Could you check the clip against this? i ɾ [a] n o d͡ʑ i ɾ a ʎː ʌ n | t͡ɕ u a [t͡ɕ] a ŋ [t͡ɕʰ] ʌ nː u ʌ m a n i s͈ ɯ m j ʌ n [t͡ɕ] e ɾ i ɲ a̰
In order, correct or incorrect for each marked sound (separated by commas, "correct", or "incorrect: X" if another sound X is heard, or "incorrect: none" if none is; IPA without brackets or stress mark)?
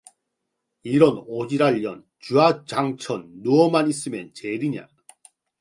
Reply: incorrect: ʌ, correct, correct, correct